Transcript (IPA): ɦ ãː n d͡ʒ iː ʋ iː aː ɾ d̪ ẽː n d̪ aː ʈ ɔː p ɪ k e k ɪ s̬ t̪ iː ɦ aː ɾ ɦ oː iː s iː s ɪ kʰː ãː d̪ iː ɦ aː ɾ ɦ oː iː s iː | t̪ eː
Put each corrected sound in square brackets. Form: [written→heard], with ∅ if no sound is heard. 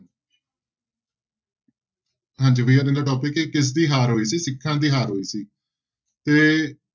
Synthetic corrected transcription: ɦ ãː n d͡ʒ iː ʋ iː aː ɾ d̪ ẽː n d̪ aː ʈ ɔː p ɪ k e k ɪ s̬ [t̪→d̪] iː ɦ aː ɾ ɦ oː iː s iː s ɪ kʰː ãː d̪ iː ɦ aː ɾ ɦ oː iː s iː | t̪ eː